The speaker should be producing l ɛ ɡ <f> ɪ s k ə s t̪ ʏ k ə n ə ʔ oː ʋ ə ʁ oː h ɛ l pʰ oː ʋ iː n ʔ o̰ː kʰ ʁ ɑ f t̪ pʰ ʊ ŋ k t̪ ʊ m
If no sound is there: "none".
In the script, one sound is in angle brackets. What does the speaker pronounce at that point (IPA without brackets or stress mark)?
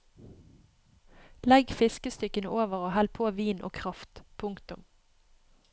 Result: f